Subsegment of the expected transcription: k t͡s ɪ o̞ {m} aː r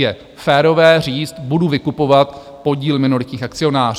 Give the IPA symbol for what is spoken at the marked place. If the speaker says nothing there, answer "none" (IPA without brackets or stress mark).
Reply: n